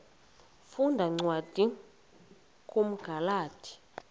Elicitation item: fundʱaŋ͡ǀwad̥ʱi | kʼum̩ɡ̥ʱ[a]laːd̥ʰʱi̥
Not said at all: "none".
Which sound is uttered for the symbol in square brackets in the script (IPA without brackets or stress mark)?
a